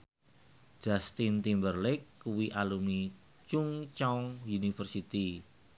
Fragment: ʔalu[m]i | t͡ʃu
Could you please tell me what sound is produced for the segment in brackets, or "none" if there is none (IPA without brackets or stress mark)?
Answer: m